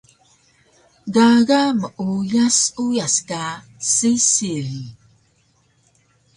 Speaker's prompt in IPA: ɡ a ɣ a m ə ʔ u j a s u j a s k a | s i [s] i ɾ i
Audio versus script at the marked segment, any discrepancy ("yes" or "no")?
no